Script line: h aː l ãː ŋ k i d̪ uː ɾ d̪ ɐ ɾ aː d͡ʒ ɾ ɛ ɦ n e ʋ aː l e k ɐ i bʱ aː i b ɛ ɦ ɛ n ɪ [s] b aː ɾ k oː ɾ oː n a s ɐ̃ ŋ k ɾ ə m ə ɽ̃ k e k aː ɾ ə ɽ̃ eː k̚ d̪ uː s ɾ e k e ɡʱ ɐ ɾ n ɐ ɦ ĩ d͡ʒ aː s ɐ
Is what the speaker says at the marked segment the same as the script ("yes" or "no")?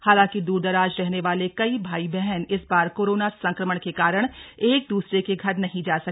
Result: yes